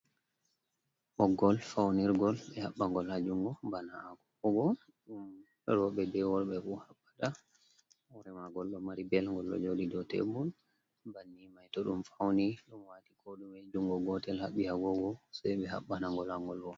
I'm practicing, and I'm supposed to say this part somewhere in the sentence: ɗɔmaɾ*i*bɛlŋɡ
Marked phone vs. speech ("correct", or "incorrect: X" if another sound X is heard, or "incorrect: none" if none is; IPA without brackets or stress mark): correct